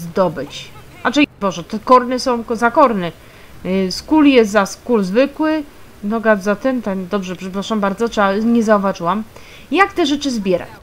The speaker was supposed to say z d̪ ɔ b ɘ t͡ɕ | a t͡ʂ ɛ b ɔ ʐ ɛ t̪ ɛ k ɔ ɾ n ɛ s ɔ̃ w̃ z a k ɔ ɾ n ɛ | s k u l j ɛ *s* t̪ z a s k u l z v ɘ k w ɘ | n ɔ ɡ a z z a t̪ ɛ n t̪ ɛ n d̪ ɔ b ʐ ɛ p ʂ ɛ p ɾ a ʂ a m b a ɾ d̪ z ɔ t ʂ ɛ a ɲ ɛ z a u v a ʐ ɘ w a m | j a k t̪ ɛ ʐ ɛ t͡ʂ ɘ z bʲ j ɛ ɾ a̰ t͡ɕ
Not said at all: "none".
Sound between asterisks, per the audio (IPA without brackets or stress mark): s